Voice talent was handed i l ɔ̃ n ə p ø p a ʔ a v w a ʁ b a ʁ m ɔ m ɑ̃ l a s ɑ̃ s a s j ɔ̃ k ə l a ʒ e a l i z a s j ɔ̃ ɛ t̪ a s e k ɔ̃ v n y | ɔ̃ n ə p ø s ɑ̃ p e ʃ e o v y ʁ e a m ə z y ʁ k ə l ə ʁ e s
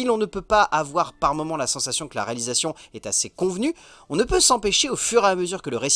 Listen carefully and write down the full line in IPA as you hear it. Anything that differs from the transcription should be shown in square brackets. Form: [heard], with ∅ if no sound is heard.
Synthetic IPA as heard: i l ɔ̃ n ə p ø p a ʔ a v w a ʁ [p] a ʁ m ɔ m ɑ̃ l a s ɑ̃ s a s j ɔ̃ k ə l a [ʁ] e a l i z a s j ɔ̃ ɛ t̪ a s e k ɔ̃ v n y | ɔ̃ n ə p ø s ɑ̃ p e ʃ e o [f] y ʁ e a m ə z y ʁ k ə l ə ʁ e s